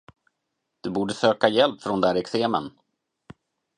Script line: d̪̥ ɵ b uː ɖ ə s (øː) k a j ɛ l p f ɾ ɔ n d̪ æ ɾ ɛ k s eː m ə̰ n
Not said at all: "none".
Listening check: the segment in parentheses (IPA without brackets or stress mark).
øː